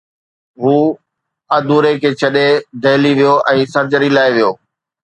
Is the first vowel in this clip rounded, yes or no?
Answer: yes